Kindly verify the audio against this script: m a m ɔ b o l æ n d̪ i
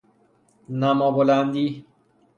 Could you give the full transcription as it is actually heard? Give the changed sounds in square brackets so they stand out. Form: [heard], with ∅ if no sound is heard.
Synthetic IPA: [n] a m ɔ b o l [a] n d̪ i